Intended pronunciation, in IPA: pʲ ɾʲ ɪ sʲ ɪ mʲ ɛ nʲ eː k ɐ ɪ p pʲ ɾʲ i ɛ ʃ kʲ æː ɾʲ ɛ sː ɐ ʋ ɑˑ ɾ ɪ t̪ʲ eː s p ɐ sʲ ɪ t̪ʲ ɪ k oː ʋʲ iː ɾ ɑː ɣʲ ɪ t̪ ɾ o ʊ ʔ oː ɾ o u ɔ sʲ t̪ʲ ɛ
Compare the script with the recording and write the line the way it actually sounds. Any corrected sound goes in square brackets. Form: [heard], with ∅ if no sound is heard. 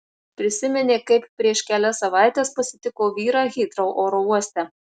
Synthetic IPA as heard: pʲ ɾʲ ɪ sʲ ɪ mʲ ɛ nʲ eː k ɐ ɪ p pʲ ɾʲ i ɛ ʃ kʲ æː [lʲ] ɛ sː ɐ ʋ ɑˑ [∅] ɪ t̪ʲ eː s p ɐ sʲ ɪ t̪ʲ ɪ k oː ʋʲ iː ɾ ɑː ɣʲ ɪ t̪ ɾ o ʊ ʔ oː ɾ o u ɔ sʲ t̪ʲ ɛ